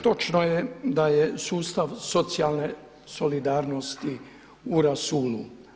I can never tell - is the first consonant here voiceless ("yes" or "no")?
yes